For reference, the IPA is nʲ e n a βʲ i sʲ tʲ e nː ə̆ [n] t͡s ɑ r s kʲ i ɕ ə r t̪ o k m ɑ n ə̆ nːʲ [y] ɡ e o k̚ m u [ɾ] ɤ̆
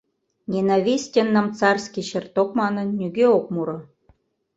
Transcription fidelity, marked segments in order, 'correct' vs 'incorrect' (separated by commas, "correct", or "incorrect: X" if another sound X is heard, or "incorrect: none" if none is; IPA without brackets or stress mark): incorrect: m, correct, correct